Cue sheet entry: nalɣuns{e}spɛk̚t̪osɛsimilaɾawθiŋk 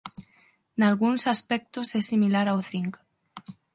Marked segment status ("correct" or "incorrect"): incorrect